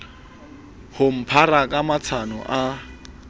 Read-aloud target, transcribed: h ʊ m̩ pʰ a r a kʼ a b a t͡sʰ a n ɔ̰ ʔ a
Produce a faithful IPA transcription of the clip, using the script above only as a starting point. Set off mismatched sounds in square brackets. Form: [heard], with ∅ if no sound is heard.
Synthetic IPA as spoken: h ʊ m̩ pʰ a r a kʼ a [m] a t͡sʰ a n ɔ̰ ʔ a